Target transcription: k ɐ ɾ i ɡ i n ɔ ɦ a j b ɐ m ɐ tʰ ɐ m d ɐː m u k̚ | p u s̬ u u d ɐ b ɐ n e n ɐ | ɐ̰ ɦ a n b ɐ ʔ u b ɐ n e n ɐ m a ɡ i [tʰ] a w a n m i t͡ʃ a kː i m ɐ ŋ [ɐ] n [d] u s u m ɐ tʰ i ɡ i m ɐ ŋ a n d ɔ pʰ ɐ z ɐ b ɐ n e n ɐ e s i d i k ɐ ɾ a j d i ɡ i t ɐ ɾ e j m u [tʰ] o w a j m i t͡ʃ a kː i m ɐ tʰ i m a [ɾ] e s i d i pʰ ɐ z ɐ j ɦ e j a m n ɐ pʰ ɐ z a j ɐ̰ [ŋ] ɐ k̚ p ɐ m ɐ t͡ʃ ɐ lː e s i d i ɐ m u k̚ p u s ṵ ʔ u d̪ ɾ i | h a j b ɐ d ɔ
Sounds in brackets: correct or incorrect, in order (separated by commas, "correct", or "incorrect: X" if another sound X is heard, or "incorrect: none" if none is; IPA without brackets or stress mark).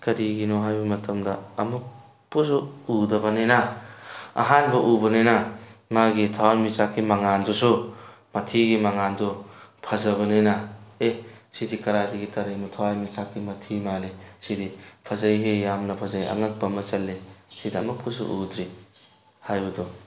correct, incorrect: a, correct, correct, incorrect: l, correct